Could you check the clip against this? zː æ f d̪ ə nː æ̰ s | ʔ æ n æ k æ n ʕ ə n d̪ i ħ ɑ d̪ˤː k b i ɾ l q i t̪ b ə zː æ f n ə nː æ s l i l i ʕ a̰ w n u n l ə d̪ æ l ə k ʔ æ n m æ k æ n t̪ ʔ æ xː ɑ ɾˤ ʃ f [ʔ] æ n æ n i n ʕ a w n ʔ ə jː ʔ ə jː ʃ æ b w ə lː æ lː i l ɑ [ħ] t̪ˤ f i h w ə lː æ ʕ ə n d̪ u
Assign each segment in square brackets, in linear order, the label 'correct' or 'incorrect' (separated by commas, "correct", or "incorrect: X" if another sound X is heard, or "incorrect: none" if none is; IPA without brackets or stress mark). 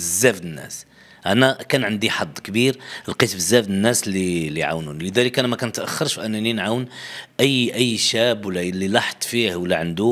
correct, correct